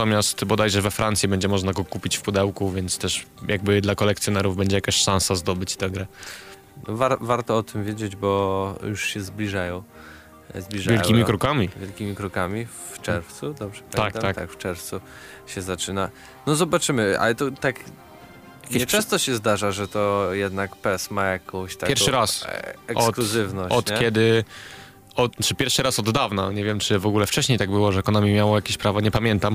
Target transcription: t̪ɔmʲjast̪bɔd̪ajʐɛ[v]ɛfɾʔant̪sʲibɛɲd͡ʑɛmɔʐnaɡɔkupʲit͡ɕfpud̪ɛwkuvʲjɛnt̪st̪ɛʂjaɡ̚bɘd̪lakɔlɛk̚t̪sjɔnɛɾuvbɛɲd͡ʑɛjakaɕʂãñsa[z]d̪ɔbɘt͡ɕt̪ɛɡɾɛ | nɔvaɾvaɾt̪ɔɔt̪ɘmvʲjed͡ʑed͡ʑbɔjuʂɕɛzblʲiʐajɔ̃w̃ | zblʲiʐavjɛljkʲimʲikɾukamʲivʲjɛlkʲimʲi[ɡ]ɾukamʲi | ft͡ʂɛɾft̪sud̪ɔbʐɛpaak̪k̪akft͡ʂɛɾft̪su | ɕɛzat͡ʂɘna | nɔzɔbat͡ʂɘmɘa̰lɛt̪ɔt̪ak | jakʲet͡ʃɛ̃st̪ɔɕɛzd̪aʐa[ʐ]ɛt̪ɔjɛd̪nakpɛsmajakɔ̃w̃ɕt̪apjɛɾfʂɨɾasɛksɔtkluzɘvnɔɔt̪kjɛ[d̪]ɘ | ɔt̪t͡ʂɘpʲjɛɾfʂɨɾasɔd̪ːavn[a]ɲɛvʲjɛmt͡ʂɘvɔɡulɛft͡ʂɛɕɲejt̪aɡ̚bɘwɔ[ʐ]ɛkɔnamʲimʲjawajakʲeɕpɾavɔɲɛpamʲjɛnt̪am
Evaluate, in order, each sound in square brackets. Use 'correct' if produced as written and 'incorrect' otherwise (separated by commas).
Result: correct, correct, incorrect, correct, correct, correct, correct